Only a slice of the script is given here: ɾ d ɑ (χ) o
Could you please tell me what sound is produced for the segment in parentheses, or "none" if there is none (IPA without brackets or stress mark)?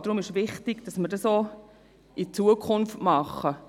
s